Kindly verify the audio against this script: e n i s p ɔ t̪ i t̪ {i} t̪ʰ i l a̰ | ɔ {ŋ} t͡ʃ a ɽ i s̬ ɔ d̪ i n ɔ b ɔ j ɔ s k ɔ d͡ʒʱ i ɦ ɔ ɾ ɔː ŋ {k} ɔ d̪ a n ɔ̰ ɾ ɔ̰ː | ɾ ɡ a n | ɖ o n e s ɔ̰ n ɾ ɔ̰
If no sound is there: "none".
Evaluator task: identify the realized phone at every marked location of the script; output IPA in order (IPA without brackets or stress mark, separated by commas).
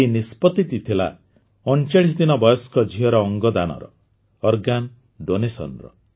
i, n, ɡ